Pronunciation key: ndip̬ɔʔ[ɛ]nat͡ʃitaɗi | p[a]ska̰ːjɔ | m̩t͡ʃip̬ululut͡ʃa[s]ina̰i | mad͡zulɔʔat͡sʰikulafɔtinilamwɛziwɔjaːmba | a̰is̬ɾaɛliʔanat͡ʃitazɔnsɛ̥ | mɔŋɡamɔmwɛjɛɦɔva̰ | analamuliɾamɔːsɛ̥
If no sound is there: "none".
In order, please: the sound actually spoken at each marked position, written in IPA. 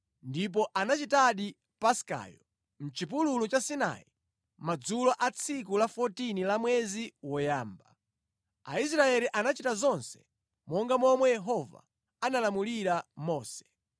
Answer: a, a, s

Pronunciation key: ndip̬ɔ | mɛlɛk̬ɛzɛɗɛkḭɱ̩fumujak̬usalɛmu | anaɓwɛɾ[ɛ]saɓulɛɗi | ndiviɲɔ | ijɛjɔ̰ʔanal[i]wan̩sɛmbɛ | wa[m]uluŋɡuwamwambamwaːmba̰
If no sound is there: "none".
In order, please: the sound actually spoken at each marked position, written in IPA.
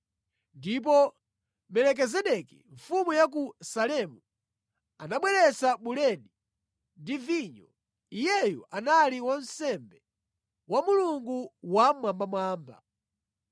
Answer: ɛ, i, m

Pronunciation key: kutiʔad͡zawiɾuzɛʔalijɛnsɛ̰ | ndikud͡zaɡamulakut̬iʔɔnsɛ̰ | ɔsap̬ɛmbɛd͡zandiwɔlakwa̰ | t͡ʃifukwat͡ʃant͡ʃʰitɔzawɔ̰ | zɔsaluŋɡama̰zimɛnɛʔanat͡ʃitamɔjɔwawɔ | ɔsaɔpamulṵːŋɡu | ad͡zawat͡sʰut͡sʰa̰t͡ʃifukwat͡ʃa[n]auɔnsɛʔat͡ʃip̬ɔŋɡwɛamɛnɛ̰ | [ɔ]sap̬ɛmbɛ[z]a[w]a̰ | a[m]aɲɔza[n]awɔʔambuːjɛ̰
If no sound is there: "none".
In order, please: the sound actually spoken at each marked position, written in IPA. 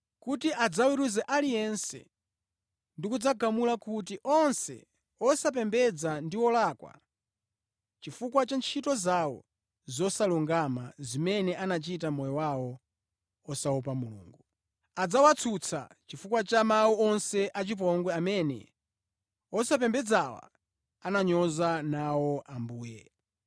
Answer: m, ɔ, d͡z, w, n, n

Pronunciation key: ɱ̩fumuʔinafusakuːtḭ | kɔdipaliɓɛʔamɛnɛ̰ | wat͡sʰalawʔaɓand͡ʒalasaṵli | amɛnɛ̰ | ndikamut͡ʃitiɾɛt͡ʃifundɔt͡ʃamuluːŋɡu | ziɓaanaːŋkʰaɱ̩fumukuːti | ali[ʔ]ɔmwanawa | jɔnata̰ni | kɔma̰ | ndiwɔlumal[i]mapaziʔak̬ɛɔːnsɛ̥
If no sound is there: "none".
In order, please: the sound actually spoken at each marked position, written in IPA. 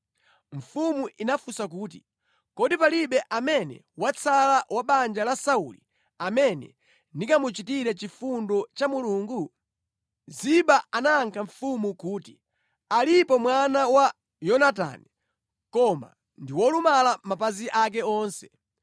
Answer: p, a

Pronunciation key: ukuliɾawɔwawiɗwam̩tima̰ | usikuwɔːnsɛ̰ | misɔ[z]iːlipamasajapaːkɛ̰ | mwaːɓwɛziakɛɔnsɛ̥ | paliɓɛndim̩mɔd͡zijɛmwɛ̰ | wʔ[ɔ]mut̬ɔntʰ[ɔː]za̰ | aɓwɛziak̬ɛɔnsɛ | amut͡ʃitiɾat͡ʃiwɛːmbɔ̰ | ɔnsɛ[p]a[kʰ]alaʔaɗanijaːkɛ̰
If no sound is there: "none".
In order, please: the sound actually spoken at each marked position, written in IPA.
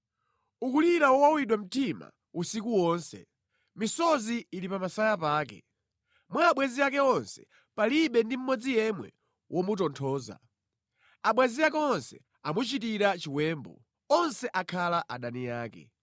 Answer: z, ɔ, ɔː, ʔ, kʰ

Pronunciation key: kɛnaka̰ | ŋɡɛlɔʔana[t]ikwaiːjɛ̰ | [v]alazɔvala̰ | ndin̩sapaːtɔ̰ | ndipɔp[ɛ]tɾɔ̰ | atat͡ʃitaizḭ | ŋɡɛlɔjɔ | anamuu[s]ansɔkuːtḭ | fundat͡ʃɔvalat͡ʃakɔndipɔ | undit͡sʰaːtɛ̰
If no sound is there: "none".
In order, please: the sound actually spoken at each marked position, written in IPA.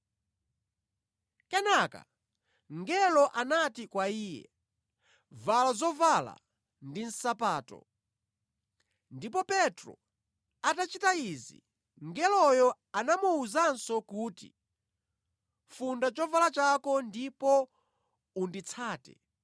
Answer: t, v, ɛ, z

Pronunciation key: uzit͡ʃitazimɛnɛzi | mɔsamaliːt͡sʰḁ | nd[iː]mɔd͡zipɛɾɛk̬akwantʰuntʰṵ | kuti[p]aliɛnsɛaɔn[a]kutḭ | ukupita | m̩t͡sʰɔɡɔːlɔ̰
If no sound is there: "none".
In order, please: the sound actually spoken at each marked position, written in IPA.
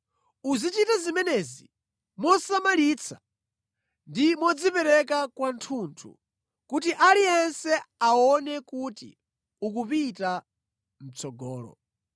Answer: i, ʔ, ɛ

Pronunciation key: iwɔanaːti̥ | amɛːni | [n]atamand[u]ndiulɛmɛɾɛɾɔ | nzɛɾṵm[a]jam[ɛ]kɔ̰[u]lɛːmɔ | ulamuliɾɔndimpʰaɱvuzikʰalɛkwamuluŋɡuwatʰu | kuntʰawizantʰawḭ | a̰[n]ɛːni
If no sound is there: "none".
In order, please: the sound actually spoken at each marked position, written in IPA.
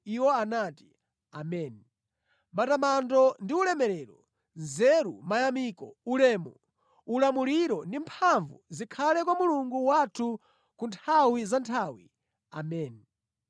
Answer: m, ɔ, a, i, u, m

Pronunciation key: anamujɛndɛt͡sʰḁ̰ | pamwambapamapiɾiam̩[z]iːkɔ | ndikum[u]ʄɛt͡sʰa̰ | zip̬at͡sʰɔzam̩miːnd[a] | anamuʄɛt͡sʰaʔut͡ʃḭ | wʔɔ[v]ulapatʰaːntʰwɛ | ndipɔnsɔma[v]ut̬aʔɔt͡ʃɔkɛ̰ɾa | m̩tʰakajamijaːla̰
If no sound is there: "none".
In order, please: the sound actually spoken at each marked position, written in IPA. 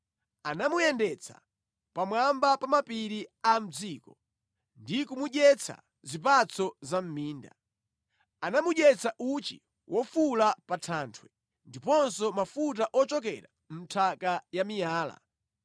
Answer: d͡z, u, a, f, f

